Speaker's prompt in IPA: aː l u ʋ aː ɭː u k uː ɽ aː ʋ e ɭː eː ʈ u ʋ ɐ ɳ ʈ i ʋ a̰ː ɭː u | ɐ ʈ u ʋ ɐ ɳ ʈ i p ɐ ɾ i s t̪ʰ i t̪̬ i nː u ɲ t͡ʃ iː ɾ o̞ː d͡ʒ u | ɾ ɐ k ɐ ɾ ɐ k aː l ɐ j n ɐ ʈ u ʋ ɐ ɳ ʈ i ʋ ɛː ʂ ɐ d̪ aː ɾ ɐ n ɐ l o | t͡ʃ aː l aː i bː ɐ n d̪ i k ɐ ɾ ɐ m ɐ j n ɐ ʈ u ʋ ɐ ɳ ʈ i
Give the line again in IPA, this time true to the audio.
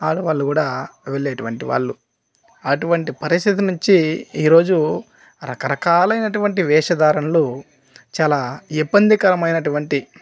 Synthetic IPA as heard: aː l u ʋ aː ɭː u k uː ɽ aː ʋ e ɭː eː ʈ u ʋ ɐ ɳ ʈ i ʋ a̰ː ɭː u | ɐ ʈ u ʋ ɐ ɳ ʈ i p ɐ ɾ i s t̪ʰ i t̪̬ i n u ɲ t͡ʃ iː ɾ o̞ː d͡ʒ u | ɾ ɐ k ɐ ɾ ɐ k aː l ɐ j n ɐ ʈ u ʋ ɐ ɳ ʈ i ʋ ɛː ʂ ɐ d̪ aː ɾ ɐ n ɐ l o | t͡ʃ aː l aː i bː ɐ n d̪ i k ɐ ɾ ɐ m ɐ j n ɐ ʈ u ʋ ɐ ɳ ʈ i